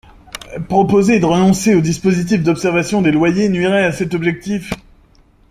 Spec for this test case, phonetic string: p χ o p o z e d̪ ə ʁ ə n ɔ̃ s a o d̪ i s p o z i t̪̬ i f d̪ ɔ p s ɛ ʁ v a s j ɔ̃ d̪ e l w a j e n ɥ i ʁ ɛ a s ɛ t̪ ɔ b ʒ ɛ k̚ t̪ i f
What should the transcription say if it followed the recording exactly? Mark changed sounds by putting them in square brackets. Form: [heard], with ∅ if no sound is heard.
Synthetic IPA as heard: p χ [ɔ] p o z e d̪ ə ʁ ə n ɔ̃ s [e] o d̪ i s p o z i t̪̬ i f d̪ ɔ p s ɛ ʁ v a s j ɔ̃ d̪ e l w a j e n ɥ i ʁ ɛ a s ɛ t̪ ɔ b ʒ ɛ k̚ t̪ i f